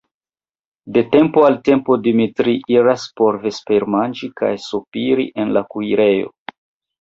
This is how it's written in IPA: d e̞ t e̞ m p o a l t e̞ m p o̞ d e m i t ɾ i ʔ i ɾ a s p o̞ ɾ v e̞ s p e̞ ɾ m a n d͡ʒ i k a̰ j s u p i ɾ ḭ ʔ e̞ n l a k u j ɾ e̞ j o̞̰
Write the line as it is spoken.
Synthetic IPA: d e̞ t e̞ m p o a l t e̞ m p o̞ d i m i t ɾ i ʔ i ɾ a s p o̞ ɾ v e̞ s p e̞ ɾ m a n d͡ʒ i k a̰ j s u p i ɾ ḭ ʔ e̞ n l a k u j ɾ e̞ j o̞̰